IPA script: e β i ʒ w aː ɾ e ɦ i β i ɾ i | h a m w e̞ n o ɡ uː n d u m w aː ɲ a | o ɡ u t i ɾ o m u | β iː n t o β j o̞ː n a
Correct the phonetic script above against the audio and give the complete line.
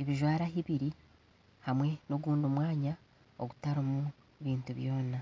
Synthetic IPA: e β i ʒ w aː ɾ a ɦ i β i ɾ i | h a m w e̞ n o ɡ uː n d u m w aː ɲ a | o ɡ u t a ɾ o m u | β iː n t u β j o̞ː n a